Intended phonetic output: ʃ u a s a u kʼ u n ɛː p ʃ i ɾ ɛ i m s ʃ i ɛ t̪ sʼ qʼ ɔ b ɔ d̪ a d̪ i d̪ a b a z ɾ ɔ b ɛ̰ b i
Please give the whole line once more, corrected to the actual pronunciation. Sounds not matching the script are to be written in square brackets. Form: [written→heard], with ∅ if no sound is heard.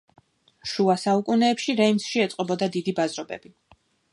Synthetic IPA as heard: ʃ u a s a u kʼ u n ɛː p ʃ i ɾ ɛ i m s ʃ i ɛ t̪ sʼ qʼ ɔ b ɔ d̪ a d̪ i d̪ [a→i] b a z ɾ ɔ b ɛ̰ b i